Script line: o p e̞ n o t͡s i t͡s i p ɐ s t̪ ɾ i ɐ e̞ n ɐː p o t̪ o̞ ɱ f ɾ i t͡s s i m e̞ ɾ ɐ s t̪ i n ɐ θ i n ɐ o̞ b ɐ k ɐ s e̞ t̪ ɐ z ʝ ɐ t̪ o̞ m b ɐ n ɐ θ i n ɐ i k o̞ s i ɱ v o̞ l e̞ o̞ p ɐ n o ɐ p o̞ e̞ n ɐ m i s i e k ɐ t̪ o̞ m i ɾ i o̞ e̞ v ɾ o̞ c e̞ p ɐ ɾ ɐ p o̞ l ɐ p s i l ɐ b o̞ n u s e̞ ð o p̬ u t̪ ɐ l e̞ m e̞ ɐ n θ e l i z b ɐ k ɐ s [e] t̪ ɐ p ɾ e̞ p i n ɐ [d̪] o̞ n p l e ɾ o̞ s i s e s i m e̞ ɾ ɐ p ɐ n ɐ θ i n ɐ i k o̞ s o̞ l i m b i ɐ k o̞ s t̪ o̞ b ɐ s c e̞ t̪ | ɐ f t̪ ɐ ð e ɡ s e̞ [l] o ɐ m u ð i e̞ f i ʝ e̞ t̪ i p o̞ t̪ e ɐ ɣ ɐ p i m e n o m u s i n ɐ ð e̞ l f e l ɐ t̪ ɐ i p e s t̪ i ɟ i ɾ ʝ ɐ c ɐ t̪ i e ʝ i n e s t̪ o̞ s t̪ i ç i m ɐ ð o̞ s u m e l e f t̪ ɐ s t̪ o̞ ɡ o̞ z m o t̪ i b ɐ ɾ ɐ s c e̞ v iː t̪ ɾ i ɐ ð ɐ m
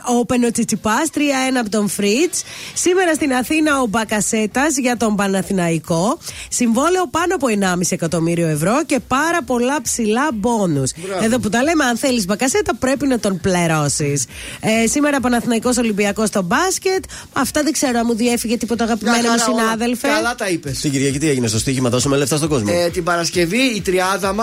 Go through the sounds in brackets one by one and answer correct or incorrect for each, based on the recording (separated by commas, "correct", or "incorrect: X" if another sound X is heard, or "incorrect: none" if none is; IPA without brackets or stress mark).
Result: correct, incorrect: t̪, incorrect: ɾ